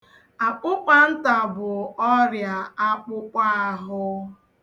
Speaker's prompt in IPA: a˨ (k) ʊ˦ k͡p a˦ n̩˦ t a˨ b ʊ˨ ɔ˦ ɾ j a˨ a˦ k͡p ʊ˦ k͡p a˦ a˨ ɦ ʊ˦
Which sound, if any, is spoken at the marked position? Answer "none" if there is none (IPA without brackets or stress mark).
k͡p